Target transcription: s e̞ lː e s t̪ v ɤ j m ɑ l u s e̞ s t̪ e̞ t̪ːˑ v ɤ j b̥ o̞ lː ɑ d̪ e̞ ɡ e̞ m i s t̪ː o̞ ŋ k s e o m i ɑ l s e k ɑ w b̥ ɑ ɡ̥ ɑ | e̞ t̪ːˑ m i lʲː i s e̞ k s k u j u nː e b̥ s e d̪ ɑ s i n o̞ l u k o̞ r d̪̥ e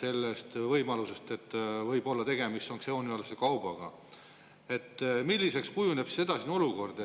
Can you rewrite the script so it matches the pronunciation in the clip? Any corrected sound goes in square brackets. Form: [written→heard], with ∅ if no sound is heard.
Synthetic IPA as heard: s e̞ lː e s t̪ v ɤ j m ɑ l u s e̞ s t̪ e̞ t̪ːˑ v ɤ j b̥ o̞ lː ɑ [d̪→t̪] e̞ ɡ e̞ m i s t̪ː o̞ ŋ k s e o [m→n] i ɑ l s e k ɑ w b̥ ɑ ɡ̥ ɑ | e̞ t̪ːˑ m i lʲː i s e̞ k s k u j u [nː→n] e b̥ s e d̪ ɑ s i n o̞ l u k o̞ r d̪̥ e